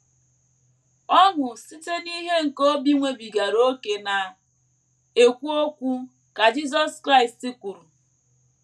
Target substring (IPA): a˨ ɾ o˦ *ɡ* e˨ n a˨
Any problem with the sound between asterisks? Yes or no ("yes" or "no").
yes